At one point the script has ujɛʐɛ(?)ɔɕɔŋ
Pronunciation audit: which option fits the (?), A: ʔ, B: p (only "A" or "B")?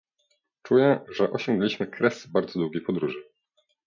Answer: A